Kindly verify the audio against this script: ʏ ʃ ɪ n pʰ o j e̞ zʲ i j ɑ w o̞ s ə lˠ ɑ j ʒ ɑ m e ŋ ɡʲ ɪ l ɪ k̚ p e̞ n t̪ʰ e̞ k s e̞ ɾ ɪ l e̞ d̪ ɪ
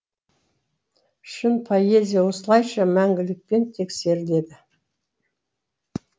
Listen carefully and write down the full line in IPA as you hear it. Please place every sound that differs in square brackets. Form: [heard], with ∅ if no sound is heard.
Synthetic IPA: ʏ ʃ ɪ n pʰ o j e̞ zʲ i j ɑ w o̞ s ə lˠ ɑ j [ʃ] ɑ m [æ] ŋ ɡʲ ɪ l ɪ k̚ p e̞ n t̪ʰ e̞ k s e̞ ɾ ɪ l e̞ d̪ ɪ